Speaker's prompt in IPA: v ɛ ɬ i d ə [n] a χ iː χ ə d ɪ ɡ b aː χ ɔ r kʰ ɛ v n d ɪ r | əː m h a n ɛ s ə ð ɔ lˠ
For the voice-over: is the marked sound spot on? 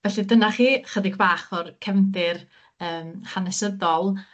yes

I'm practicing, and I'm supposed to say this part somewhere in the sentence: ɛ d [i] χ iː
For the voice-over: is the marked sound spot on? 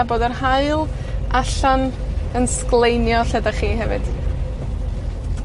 no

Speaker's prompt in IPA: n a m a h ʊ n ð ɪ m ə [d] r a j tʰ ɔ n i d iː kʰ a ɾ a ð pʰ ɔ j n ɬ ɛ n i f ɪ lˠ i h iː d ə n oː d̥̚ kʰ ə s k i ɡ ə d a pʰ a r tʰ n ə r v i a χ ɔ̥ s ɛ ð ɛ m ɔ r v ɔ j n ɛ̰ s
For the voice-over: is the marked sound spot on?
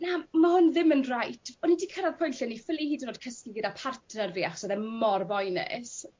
no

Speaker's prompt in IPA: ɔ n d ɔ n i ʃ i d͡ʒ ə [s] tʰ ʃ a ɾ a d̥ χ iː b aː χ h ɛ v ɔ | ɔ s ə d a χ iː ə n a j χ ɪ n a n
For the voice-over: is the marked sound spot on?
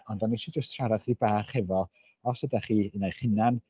yes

